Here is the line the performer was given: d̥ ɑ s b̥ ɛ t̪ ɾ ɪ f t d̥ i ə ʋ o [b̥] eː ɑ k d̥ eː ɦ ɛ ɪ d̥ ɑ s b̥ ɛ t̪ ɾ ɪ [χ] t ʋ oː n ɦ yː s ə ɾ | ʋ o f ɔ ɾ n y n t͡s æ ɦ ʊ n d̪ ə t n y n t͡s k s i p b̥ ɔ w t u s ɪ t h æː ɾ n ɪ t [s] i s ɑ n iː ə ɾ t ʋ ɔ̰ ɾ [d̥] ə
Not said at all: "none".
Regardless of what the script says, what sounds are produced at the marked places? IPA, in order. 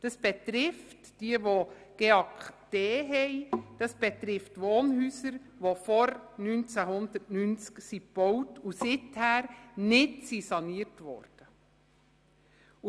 ɡ̥, f, s, d̥

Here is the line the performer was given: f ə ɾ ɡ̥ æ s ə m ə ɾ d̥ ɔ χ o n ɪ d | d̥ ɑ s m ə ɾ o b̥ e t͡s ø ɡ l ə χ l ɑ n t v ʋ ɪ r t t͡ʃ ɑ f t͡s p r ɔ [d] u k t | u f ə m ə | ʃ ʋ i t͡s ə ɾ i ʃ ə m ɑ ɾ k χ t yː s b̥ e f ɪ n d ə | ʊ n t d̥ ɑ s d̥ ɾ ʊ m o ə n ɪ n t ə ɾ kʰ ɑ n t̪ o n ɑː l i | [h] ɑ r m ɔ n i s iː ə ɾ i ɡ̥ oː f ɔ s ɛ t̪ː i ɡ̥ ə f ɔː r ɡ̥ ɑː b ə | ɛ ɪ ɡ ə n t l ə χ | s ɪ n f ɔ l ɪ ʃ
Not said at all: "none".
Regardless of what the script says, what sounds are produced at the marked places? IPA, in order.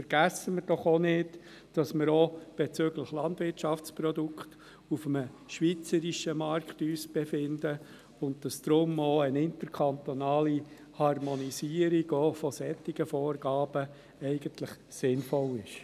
d, h

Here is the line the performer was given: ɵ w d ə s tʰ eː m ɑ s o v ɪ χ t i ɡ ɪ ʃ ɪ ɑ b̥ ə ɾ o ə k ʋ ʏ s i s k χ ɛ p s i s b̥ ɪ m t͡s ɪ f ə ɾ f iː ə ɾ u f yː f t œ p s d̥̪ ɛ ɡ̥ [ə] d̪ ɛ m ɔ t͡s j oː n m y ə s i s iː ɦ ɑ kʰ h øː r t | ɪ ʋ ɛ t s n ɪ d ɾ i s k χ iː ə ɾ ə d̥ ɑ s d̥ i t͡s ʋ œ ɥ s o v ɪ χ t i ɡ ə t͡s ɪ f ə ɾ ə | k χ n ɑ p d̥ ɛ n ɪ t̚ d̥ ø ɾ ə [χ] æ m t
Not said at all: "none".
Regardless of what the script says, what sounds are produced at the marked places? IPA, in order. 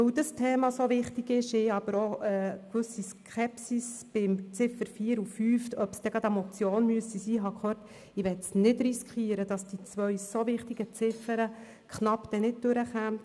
ɑ, χ

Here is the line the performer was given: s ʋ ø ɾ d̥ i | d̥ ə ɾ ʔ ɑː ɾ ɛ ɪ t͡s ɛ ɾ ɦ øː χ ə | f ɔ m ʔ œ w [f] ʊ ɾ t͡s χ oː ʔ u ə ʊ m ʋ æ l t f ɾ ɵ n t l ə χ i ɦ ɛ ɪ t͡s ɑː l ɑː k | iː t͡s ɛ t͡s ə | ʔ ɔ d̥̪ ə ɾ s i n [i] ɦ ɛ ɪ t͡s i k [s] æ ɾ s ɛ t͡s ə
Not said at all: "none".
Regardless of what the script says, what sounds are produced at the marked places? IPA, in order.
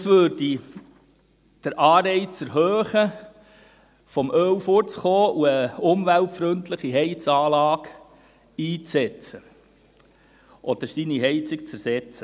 f, i, t͡s

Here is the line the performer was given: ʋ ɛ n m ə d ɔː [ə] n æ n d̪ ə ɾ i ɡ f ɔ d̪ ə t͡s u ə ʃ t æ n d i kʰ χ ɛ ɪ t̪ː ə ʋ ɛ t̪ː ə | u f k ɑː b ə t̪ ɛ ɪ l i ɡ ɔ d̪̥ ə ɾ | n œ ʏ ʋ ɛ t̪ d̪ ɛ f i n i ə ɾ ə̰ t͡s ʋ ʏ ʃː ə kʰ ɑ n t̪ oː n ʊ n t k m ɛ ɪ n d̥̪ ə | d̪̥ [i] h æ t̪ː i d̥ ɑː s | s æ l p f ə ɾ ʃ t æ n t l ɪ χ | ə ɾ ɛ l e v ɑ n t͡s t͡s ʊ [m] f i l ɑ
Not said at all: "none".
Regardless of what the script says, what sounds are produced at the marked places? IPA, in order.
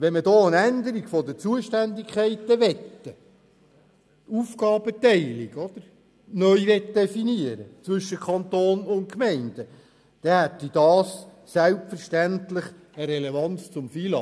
ə, ɛ, m

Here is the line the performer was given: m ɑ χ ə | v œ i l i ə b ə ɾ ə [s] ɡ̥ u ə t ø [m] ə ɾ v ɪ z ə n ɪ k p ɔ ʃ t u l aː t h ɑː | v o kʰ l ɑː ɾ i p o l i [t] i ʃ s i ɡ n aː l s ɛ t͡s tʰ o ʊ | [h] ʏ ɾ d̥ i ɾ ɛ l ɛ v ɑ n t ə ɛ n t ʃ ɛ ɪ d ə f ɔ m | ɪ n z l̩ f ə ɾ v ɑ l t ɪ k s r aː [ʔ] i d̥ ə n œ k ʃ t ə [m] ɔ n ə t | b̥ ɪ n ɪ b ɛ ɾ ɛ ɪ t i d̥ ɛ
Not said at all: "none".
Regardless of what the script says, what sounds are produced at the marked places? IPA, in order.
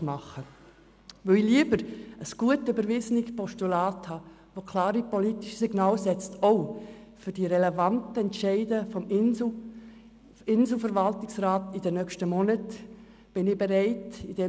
s, b, t, f, t, m

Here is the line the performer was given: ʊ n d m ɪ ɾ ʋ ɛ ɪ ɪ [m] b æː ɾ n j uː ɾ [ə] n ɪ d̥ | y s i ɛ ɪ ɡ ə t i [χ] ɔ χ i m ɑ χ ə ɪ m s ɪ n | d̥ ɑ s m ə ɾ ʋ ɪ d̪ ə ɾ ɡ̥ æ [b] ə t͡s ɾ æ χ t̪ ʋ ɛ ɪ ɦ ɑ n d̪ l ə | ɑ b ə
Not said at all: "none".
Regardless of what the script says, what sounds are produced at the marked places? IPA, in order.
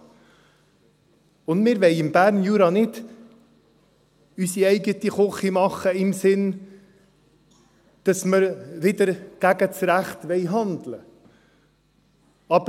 m, ɑ, χ, ɡ

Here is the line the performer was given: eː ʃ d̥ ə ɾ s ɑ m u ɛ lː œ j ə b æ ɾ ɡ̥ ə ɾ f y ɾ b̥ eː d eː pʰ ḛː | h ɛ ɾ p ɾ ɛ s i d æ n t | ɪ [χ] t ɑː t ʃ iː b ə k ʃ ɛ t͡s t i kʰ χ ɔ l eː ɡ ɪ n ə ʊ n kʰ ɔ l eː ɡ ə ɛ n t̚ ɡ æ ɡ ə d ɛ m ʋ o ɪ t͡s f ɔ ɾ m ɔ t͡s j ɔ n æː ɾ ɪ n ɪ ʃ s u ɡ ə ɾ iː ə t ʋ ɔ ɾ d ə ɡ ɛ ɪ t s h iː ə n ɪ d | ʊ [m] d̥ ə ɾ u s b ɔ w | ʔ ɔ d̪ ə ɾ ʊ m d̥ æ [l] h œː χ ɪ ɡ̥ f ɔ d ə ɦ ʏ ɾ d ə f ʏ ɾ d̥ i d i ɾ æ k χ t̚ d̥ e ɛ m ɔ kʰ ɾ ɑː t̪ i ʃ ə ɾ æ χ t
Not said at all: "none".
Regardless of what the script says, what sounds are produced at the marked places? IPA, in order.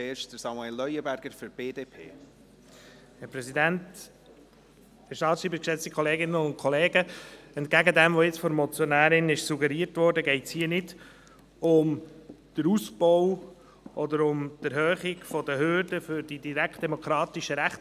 ʃ, m, ɾ

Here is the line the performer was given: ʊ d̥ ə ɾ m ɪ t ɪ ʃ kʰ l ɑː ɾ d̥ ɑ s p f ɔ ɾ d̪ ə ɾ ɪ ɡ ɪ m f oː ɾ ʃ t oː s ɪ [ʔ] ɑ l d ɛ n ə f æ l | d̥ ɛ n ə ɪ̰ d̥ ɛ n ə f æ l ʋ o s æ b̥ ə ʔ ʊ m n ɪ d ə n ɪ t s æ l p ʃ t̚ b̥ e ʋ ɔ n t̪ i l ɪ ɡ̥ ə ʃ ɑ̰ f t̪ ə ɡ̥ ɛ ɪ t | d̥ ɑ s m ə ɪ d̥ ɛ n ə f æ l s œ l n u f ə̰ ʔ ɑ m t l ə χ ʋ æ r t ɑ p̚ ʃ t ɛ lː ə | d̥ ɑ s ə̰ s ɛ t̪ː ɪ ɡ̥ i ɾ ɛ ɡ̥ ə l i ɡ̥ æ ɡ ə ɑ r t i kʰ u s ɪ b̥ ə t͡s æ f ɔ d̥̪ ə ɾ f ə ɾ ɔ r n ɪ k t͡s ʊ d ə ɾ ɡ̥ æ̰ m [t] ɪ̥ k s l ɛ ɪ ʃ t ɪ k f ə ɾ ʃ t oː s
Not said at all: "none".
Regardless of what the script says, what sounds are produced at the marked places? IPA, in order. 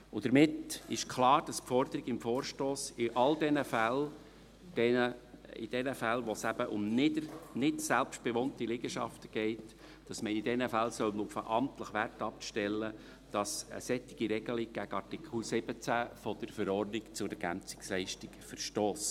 ʔ, t͡s

